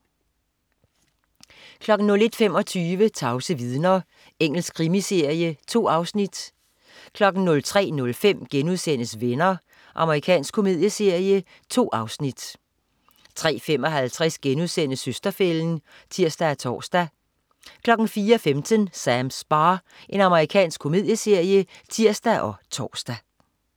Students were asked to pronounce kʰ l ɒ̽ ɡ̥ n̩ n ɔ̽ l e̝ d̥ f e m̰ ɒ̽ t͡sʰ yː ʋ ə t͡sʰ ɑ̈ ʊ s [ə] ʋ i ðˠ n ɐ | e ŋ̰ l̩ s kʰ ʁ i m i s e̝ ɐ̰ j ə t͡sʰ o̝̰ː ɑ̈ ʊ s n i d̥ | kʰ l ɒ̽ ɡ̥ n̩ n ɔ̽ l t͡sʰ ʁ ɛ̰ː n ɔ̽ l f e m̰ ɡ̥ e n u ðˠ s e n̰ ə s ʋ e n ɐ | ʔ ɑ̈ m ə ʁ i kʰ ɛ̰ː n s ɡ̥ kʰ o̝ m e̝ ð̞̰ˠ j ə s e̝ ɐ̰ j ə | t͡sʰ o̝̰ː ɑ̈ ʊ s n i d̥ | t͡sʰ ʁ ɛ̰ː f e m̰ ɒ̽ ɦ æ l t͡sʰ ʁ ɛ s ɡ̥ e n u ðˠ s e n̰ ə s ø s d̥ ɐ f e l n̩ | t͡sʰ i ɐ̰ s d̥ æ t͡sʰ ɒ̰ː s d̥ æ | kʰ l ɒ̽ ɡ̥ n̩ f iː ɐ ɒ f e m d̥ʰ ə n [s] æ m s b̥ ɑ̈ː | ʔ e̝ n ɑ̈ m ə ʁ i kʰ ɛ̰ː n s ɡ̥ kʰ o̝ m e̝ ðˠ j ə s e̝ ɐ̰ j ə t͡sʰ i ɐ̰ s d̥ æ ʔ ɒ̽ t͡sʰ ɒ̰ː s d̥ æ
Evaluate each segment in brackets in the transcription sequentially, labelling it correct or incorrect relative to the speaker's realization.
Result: correct, correct

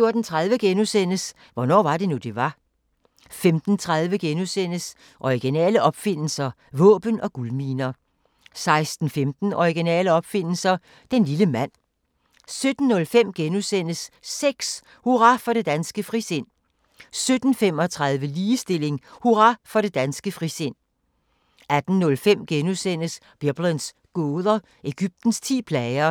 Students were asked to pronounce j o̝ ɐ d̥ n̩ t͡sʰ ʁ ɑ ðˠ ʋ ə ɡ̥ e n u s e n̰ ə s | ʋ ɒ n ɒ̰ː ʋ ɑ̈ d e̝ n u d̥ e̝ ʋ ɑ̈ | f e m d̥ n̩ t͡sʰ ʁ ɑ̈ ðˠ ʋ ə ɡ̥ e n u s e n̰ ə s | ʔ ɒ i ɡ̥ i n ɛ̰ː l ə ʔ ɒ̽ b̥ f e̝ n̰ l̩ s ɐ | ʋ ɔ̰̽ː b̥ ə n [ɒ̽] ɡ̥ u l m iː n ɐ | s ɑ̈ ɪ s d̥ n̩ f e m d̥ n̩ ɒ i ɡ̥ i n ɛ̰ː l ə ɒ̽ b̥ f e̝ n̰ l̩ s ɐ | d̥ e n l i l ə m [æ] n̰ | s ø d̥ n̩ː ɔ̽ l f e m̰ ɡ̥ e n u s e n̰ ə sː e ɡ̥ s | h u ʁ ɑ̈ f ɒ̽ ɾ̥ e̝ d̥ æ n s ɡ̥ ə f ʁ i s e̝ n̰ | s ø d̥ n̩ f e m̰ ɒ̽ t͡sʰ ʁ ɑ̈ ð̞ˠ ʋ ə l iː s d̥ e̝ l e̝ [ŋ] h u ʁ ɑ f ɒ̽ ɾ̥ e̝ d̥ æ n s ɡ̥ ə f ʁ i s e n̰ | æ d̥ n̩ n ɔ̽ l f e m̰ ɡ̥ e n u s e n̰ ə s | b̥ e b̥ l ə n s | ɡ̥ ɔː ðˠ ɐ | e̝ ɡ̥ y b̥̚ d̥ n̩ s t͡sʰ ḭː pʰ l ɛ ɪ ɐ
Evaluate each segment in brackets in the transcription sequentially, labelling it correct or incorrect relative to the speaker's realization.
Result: correct, correct, correct

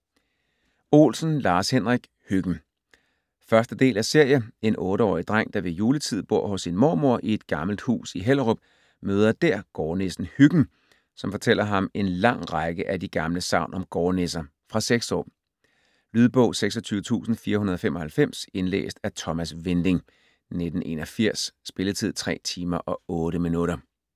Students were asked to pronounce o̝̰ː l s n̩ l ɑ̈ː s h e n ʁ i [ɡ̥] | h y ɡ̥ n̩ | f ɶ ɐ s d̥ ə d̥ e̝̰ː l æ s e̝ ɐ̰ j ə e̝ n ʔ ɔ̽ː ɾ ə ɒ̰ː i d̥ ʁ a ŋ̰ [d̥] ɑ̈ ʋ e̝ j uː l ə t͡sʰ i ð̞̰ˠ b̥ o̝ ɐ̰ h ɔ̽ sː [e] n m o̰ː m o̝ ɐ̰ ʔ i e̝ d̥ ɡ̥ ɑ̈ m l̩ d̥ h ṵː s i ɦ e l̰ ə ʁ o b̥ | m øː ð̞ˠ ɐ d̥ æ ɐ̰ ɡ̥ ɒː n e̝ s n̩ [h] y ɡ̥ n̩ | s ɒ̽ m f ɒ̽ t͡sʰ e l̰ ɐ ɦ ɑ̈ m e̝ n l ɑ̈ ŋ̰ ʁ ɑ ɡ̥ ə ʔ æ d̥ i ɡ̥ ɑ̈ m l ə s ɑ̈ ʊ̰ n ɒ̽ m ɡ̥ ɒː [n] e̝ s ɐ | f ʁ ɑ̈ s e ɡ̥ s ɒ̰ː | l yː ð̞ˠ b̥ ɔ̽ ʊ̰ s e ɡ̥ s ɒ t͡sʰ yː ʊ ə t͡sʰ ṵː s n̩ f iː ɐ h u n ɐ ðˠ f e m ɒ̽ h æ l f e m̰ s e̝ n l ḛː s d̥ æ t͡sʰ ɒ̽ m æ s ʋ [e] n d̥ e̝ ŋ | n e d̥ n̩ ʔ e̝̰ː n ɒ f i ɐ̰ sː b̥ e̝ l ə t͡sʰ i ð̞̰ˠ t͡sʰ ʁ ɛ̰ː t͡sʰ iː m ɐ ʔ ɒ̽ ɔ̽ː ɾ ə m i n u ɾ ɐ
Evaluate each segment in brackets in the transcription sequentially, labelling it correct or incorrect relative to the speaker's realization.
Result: correct, correct, incorrect, correct, correct, correct

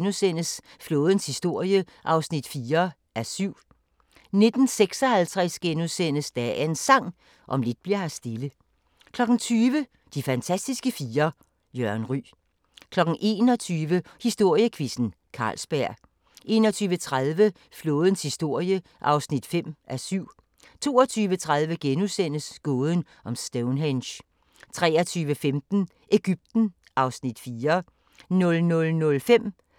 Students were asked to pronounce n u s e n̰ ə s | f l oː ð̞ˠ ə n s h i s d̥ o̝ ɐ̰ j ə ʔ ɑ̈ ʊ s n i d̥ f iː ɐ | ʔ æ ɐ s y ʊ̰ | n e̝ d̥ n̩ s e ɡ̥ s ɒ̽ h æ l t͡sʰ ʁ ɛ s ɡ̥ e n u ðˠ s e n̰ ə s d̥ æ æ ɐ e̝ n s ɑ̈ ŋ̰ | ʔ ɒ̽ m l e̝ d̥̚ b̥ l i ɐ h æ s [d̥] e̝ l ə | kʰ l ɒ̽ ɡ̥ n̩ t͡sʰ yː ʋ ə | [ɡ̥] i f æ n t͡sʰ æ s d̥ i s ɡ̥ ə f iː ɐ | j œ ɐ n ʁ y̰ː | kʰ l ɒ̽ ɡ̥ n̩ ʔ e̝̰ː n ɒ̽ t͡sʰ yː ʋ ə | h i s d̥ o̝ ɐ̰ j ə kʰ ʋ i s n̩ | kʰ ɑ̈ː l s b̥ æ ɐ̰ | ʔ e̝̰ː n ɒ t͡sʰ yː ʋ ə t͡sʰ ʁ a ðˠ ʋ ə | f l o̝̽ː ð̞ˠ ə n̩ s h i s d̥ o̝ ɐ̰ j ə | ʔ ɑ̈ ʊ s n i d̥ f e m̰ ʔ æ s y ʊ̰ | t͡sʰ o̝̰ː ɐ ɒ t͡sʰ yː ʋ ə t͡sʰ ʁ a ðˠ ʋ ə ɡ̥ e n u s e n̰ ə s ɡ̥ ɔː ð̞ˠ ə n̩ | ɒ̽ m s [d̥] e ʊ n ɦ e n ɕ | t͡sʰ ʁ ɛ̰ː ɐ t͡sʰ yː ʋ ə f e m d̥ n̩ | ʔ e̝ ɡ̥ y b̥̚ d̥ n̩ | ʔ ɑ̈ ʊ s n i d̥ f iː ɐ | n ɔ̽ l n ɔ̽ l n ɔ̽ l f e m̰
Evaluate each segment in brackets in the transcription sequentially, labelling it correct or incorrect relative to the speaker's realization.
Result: correct, incorrect, correct

